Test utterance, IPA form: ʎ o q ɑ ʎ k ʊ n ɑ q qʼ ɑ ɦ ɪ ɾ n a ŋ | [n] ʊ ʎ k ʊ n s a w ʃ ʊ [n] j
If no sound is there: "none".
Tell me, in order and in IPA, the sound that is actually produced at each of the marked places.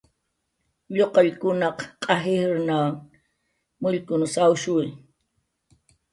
m, none

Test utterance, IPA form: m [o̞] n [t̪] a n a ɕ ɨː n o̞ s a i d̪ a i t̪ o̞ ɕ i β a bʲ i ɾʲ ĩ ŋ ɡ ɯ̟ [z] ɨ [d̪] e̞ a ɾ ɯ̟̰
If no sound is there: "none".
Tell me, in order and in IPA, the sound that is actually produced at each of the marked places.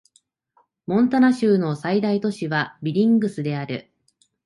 õ̞, t̪, s, d̪

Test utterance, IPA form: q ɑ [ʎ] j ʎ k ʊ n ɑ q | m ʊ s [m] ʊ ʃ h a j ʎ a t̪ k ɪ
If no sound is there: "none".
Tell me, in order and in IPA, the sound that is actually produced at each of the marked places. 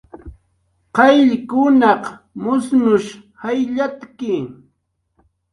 none, n

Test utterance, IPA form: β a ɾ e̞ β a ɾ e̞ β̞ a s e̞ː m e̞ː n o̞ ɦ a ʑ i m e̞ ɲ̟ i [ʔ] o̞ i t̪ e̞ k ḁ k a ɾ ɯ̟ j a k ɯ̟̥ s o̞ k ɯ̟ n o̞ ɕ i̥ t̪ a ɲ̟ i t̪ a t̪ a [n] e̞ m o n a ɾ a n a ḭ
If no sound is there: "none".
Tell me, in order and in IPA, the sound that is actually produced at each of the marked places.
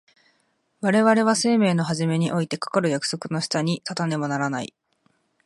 ʔ, n

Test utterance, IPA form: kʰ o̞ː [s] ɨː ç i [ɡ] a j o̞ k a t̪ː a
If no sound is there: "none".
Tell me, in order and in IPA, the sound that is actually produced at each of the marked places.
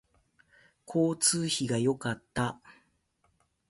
t͡s, ɡ

